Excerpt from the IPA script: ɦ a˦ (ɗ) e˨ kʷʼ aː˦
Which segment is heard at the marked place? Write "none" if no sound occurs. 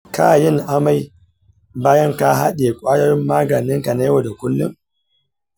ɗ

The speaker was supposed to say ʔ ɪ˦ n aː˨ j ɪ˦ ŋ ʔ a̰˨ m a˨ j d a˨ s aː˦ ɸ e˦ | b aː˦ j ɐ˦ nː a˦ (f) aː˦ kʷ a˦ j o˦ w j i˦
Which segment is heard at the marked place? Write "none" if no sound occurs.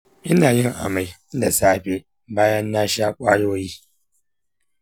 ʃ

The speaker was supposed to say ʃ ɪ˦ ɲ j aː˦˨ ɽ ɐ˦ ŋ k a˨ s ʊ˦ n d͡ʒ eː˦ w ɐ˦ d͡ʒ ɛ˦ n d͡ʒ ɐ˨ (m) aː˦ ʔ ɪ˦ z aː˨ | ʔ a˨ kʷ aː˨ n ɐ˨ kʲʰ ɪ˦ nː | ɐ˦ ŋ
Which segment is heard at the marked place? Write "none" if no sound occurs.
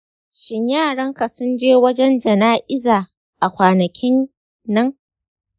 n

